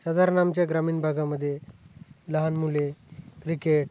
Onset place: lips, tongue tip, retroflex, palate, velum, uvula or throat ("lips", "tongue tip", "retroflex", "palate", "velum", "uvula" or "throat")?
tongue tip